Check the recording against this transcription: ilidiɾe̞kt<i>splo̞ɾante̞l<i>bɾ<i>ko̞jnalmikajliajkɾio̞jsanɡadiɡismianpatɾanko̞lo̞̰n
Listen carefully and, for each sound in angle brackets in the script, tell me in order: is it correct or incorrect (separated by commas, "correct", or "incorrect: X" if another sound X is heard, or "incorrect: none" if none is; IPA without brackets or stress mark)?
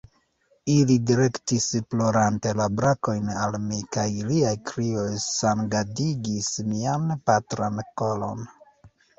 correct, incorrect: a, incorrect: a